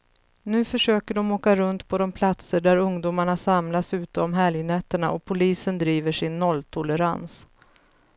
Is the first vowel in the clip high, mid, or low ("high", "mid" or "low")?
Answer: high